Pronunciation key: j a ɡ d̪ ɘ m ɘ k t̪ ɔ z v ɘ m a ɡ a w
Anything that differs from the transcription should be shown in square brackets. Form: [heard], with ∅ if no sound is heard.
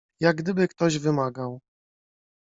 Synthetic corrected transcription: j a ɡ d̪ ɘ [b] ɘ k t̪ ɔ [ʑ] v ɘ m a ɡ a w